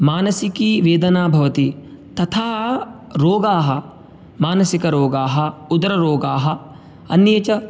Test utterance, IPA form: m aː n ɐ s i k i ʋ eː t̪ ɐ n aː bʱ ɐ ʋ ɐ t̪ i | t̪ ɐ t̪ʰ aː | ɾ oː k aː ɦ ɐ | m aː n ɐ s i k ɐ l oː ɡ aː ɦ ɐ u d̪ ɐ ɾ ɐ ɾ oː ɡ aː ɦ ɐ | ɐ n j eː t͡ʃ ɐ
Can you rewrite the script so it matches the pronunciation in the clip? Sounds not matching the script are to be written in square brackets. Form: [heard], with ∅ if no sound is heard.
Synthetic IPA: m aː n ɐ s i k i ʋ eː [d̪] ɐ n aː bʱ ɐ ʋ ɐ t̪ i | t̪ ɐ t̪ʰ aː | ɾ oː [ɡ] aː ɦ ɐ | m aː n ɐ s i k ɐ [ɾ] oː ɡ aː ɦ ɐ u d̪ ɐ ɾ ɐ ɾ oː ɡ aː ɦ ɐ | ɐ n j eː t͡ʃ ɐ